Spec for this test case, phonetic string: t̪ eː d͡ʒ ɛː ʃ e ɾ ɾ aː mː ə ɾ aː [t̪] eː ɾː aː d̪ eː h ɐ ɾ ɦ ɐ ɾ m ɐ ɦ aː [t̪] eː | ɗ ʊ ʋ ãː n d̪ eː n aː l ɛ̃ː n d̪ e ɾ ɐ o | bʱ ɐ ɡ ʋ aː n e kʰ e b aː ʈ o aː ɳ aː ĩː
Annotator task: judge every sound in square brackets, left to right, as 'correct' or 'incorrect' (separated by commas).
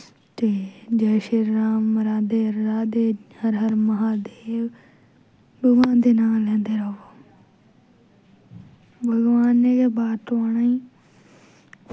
incorrect, incorrect